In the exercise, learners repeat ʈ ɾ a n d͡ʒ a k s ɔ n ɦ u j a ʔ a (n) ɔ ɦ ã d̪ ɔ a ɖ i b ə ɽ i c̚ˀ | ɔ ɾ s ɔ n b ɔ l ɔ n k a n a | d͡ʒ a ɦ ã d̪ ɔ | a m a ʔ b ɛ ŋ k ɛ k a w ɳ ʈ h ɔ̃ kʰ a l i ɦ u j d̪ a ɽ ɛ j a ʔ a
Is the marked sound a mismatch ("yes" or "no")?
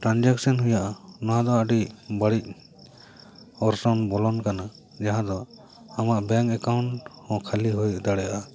no